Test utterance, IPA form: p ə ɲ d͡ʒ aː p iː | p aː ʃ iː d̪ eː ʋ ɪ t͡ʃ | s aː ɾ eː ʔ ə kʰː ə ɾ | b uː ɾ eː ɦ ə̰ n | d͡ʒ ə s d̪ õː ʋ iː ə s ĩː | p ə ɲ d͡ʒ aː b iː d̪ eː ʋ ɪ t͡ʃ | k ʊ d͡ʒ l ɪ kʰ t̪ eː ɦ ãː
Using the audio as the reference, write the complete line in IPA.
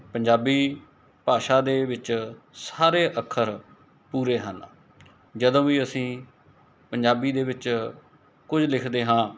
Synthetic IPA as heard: p ə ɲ d͡ʒ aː b iː | p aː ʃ aː d̪ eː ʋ ɪ t͡ʃ | s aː ɾ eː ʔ ə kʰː ə ɾ | p uː ɾ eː ɦ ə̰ n | d͡ʒ ə d̪ õː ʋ iː ə s ĩː | p ə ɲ d͡ʒ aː b iː d̪ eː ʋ ɪ t͡ʃ | k ʊ d͡ʒ l ɪ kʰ d̪ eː ɦ ãː